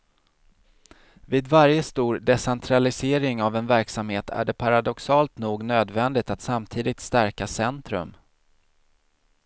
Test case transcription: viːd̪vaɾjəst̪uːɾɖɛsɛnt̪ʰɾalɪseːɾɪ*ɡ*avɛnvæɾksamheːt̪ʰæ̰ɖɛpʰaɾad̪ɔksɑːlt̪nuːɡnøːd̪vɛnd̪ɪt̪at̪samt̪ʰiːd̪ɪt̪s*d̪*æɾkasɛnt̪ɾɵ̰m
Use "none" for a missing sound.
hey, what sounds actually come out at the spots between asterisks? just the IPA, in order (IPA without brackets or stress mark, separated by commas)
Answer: ŋ, t̪